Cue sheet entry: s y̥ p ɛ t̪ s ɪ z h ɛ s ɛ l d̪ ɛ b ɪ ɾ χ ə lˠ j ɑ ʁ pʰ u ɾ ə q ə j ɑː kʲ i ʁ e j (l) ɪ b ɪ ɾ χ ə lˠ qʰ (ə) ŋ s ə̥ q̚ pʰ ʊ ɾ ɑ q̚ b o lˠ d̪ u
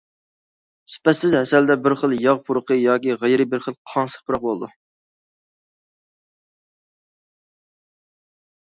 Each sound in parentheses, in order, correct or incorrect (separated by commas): incorrect, incorrect